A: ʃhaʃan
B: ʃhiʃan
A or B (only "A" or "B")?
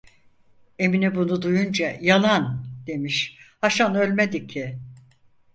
A